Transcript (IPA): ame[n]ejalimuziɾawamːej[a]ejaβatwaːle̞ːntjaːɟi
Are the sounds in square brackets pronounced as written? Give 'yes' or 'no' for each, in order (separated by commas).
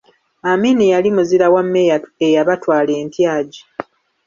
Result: yes, yes